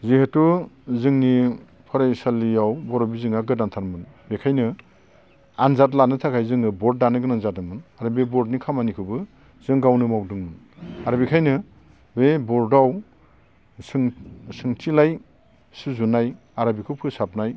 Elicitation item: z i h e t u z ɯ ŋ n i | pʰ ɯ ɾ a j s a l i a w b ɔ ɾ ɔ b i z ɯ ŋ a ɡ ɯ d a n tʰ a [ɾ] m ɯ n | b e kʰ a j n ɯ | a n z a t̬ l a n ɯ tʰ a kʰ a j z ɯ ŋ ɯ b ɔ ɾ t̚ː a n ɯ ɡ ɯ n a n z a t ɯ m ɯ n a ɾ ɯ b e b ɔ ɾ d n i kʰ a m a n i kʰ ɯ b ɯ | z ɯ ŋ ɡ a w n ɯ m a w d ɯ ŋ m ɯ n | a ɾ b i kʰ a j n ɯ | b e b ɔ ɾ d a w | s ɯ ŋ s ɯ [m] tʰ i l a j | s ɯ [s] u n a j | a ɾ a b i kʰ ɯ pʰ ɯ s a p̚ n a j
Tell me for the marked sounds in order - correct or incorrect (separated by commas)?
correct, incorrect, incorrect